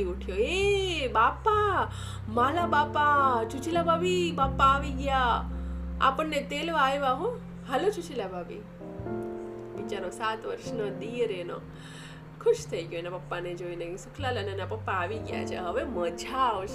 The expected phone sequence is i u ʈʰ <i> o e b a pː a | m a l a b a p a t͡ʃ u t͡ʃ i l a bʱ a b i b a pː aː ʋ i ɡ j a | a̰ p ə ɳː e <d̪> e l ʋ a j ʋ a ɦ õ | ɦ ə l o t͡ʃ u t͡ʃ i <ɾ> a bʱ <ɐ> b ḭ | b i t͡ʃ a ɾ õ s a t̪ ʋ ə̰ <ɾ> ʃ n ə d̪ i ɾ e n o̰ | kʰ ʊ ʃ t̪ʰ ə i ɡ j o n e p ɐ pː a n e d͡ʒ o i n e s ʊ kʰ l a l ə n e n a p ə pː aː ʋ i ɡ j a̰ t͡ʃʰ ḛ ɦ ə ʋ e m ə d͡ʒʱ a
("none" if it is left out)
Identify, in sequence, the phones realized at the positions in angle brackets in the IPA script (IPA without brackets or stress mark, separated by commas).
j, t̪, l, a, ɾ